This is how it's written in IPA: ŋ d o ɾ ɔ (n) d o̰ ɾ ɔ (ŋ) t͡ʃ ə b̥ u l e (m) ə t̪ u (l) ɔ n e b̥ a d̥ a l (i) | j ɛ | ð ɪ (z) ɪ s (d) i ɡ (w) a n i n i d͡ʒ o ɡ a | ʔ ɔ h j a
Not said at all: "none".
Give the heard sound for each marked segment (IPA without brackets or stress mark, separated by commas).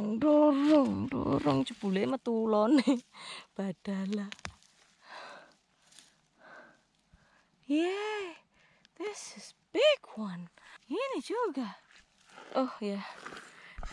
ŋ, ŋ, m, l, a, s, b, w